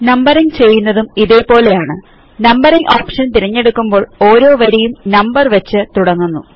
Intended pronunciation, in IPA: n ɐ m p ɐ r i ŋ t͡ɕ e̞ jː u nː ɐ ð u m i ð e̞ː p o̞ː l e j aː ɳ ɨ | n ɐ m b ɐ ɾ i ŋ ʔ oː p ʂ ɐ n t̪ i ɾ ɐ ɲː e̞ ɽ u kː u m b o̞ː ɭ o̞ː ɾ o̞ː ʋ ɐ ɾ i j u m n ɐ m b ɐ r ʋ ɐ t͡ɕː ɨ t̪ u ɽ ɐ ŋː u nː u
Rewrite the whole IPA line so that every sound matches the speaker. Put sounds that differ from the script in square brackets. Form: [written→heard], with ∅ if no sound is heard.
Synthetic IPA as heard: n ɐ m [p→b] ɐ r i ŋ t͡ɕ e̞ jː u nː ɐ ð u m i ð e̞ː p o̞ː l e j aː ɳ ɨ | n ɐ m b ɐ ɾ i ŋ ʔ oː p ʂ ɐ n t̪ i ɾ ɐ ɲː e̞ ɽ u kː u m b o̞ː ɭ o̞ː ɾ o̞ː ʋ ɐ ɾ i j u m n ɐ m b ɐ r ʋ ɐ t͡ɕː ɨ t̪ u ɽ ɐ ŋː u nː u